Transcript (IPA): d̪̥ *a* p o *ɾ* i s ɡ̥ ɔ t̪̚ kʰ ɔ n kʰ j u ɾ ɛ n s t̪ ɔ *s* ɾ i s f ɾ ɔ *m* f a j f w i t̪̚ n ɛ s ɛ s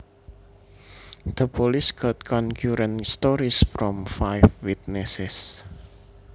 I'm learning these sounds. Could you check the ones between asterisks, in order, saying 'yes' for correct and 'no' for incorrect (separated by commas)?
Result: no, no, no, yes